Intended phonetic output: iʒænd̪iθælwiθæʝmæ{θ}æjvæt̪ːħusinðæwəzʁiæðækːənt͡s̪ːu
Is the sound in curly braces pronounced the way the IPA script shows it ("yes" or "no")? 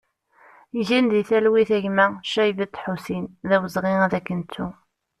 no